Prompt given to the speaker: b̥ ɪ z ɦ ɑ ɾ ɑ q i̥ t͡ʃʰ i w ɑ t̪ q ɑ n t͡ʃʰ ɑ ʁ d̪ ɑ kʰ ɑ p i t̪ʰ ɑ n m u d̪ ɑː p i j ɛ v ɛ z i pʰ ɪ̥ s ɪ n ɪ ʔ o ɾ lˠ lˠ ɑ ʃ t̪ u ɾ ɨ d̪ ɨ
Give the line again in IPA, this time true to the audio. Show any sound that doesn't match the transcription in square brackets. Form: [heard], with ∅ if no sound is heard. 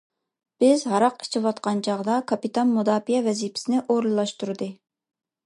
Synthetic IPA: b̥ ɪ z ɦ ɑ ɾ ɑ q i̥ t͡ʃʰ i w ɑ t̪ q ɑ n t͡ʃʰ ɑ ʁ d̪ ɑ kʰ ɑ p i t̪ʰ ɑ n m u d̪ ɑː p i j ɛ v ɛ z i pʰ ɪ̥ s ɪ n ɪ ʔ o ɾ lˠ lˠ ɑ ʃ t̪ u ɾ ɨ d̪ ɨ